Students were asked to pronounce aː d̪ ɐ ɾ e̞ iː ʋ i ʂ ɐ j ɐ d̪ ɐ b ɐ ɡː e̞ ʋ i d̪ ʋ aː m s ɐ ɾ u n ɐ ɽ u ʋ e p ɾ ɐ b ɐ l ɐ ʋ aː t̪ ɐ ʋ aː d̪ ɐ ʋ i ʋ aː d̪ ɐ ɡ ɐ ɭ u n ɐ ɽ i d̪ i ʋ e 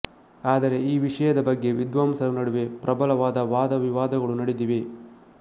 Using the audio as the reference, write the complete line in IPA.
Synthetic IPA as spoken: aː d̪ ɐ ɾ e̞ iː ʋ i ʂ ɐ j ɐ d̪ ɐ b ɐ ɡː e̞ ʋ i d̪ ʋ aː m s ɐ ɾ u n ɐ ɽ u ʋ e p ɾ ɐ b ɐ l ɐ ʋ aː d̪ ɐ ʋ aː d̪ ɐ ʋ i ʋ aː d̪ ɐ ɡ ɐ ɭ u n ɐ ɽ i d̪ i ʋ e